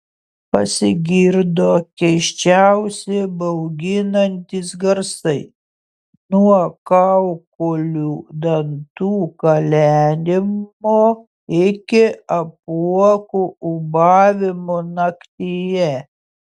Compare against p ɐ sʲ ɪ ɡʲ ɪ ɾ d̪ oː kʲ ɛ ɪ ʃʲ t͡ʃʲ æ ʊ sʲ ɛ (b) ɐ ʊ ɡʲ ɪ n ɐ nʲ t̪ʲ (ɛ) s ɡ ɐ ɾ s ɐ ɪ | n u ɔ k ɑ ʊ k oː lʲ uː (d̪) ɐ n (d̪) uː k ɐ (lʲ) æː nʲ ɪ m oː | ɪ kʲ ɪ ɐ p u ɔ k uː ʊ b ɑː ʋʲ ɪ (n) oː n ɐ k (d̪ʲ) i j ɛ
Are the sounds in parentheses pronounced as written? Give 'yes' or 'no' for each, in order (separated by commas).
yes, no, yes, no, yes, no, no